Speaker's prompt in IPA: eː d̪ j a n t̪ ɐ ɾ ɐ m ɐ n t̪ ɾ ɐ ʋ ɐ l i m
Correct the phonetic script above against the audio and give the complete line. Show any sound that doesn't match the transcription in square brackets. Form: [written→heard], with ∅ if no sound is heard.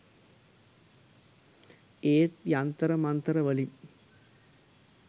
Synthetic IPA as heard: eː [d̪→t̪] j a n t̪ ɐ ɾ ɐ m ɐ n t̪ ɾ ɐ ʋ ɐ l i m